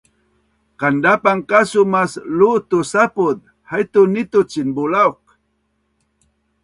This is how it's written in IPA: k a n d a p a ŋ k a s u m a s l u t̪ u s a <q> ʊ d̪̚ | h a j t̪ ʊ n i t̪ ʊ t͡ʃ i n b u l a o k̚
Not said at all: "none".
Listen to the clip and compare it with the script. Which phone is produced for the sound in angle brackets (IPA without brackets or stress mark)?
p